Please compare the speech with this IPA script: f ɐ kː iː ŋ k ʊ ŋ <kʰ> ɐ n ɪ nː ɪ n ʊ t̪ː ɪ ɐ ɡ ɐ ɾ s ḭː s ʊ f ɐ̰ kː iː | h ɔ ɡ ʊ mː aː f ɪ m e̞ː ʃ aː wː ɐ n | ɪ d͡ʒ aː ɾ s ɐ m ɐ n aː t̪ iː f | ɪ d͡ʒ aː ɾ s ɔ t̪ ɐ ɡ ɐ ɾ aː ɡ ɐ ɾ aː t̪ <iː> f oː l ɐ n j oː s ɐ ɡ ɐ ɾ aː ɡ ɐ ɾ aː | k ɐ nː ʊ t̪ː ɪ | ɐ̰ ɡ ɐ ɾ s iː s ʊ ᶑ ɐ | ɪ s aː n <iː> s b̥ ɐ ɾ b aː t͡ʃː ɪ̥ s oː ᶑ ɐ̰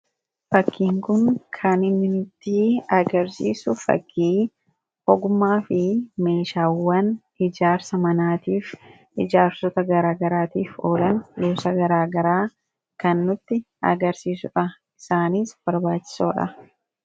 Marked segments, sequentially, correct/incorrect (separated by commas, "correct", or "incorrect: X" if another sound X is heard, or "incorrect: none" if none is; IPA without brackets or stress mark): correct, correct, correct